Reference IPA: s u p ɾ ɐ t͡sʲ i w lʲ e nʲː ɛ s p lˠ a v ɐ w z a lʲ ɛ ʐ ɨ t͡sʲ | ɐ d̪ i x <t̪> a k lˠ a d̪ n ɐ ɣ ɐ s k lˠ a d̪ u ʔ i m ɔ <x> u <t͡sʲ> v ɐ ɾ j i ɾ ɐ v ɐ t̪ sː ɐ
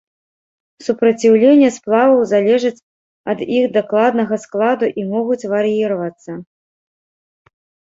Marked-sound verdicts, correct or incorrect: incorrect, incorrect, correct

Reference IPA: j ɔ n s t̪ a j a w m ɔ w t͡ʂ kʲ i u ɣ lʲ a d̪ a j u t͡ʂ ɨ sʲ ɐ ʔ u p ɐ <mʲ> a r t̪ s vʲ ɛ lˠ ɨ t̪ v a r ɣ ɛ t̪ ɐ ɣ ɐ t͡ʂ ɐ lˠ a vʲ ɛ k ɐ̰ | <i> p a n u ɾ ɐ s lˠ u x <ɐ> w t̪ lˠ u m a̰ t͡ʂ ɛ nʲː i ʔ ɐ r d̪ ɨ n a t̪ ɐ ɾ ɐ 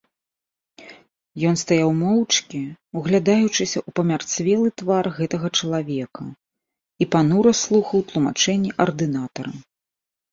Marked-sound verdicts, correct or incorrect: correct, correct, correct

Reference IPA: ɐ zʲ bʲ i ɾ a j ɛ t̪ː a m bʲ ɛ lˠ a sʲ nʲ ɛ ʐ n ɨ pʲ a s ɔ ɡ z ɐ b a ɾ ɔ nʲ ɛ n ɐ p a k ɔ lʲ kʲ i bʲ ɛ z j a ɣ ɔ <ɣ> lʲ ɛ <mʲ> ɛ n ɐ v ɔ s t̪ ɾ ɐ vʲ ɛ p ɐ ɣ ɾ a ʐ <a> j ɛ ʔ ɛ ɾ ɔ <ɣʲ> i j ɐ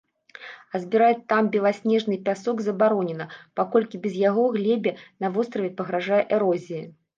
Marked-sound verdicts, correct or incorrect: correct, incorrect, correct, incorrect

